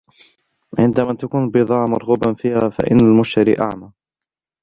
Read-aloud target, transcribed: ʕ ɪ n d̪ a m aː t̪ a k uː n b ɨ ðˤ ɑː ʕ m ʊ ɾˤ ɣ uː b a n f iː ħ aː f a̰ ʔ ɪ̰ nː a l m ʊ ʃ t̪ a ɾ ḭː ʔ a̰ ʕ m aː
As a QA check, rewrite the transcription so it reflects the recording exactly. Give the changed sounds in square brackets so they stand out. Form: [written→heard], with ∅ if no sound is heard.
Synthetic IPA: ʕ ɪ n d̪ a m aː t̪ a k uː n b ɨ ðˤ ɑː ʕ m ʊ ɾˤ ɣ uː b a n f iː [ħ→h] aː f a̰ ʔ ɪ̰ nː a l m ʊ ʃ t̪ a ɾ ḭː ʔ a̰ ʕ m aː